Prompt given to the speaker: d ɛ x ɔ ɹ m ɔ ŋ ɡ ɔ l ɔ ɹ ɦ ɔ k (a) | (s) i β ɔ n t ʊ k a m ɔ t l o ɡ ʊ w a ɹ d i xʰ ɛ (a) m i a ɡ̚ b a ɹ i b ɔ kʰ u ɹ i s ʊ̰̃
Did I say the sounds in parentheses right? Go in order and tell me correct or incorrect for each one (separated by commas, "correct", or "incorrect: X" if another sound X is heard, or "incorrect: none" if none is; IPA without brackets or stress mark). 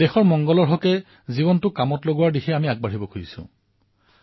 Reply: incorrect: ɛ, incorrect: z, correct